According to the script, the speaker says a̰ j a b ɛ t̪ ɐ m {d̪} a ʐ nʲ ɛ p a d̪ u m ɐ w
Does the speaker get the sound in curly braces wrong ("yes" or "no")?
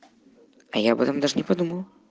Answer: no